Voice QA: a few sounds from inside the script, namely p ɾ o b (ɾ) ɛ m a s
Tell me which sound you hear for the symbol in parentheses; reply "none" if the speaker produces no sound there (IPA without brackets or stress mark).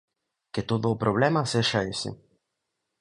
l